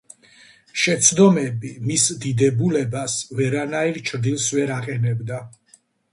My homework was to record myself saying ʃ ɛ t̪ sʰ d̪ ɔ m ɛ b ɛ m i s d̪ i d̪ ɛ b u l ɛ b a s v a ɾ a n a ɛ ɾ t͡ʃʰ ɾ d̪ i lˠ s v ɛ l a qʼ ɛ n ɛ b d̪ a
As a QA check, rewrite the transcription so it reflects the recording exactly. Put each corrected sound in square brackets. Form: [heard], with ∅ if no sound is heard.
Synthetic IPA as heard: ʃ ɛ t̪ sʰ d̪ ɔ m ɛ b [i] m i s d̪ i d̪ ɛ b u l ɛ b a s v [ɛ] ɾ a n a [i] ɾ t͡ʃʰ ɾ d̪ i lˠ s v ɛ [ɾ] a qʼ ɛ n ɛ b d̪ a